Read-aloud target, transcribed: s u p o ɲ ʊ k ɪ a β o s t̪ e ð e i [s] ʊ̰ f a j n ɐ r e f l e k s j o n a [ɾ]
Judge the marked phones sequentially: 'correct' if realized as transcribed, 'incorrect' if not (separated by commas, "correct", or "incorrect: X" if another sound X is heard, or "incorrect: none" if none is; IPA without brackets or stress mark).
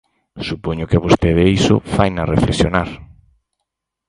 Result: correct, correct